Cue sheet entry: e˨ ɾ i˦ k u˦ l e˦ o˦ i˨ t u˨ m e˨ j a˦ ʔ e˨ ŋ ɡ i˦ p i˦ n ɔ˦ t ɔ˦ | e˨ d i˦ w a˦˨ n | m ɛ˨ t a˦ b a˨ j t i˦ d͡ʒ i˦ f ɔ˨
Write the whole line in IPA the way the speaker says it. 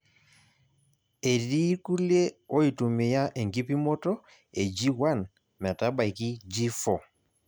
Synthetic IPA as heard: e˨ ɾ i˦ k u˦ l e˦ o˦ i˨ t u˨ m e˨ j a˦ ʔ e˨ ŋ ɡ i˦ p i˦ m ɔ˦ t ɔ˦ | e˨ d͡ʒ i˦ w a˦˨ n | m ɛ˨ t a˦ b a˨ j k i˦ d͡ʒ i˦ f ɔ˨